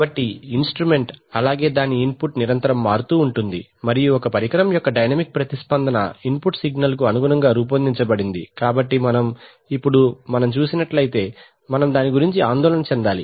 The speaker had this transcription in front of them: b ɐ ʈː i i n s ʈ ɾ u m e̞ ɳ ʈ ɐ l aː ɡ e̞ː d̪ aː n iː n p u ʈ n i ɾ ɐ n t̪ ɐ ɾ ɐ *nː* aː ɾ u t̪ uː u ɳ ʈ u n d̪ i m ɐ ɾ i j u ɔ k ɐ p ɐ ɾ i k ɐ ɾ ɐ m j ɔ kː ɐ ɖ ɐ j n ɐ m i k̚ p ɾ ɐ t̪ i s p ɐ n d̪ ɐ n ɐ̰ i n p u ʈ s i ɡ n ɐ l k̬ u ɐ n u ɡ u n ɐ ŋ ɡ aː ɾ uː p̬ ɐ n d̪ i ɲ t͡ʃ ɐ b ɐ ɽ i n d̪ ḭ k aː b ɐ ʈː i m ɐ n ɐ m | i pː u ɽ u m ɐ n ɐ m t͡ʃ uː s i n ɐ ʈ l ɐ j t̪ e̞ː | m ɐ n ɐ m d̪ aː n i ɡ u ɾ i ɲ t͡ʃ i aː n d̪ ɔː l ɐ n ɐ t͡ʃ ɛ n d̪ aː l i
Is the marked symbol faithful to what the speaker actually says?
no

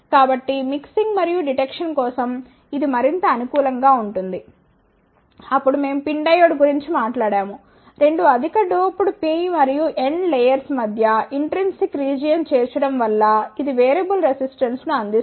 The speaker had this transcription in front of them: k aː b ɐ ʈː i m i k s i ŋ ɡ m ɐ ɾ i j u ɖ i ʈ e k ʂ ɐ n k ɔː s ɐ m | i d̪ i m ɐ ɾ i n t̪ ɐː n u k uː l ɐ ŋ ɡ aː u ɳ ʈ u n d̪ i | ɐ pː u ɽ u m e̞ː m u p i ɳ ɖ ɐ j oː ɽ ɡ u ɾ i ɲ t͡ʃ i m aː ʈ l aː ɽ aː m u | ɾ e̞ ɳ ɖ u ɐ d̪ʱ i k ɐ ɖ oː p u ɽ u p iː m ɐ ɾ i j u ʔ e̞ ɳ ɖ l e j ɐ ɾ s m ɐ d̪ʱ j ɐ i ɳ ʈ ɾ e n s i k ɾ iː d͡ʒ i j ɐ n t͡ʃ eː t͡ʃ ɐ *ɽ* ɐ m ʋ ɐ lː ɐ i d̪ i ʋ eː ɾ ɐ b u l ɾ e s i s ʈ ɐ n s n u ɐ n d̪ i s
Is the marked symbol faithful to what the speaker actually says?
yes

